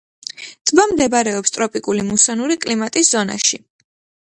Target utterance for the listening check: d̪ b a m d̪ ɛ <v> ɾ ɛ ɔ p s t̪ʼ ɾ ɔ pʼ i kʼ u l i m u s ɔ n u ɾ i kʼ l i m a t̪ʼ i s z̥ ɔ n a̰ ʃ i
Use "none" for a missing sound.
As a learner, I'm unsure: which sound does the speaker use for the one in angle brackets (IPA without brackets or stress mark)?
b